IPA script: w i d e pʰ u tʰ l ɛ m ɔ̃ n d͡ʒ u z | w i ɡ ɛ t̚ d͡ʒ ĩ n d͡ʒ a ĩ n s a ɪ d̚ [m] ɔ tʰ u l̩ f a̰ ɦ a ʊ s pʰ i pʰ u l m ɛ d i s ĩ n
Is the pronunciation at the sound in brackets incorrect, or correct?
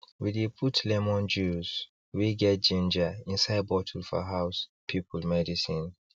incorrect: b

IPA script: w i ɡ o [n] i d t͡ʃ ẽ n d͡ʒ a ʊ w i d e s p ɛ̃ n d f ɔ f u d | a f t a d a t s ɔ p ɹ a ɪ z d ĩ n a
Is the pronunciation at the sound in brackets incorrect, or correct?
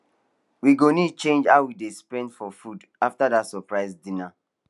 correct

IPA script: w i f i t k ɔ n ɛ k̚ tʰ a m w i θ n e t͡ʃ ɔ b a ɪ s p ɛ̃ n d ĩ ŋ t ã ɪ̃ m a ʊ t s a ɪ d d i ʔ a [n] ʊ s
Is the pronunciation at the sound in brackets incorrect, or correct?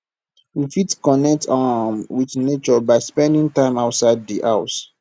incorrect: none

